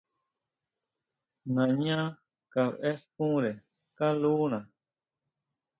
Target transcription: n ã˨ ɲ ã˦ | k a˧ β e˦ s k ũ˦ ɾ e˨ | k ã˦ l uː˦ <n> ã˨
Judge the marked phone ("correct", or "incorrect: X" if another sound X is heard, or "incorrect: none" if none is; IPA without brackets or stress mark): correct